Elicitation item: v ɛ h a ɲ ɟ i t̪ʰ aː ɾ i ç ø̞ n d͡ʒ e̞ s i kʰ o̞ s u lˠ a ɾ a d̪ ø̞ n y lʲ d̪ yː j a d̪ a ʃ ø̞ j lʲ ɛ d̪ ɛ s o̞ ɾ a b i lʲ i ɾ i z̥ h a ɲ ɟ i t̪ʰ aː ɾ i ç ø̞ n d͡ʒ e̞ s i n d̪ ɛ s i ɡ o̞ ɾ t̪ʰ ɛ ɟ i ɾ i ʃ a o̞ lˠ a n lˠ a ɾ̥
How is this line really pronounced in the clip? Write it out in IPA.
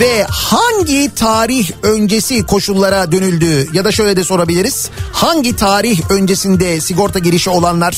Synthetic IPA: v ɛ h a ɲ ɟ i t̪ʰ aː ɾ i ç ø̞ n d͡ʒ e̞ s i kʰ o̞ ʃ u lˠː a ɾ a d̪ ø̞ n y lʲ d̪ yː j a d̪ a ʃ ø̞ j lʲ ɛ d̪ ɛ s o̞ ɾ a b i lʲ i ɾ i z̥ h a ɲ ɟ i t̪ʰ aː ɾ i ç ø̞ n d͡ʒ e̞ s i n d̪ ɛ s i ɡ o̞ ɾ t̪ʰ a ɟ i ɾ i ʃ i o̞ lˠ a n lˠ a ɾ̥